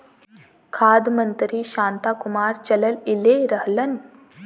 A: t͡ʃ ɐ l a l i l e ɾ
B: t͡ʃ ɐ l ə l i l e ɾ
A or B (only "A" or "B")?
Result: B